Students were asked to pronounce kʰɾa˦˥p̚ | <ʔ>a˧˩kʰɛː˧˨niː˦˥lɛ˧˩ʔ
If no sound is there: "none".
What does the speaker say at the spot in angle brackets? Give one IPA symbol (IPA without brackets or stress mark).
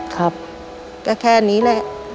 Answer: k